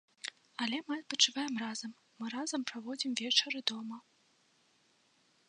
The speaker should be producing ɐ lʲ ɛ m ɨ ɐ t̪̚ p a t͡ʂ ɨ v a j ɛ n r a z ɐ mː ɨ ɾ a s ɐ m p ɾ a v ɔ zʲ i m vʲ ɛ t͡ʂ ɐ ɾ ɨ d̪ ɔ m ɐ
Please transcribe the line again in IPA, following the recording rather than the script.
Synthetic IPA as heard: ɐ lʲ ɛ m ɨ ɐ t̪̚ p ɐ t͡ʂ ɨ v a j ɛ m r a z ɐ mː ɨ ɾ a z ɐ m p ɾ a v ɔ d͡zʲ i m vʲ ɛ t͡ʂ ɐ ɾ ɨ d̪ ɔ m ɐ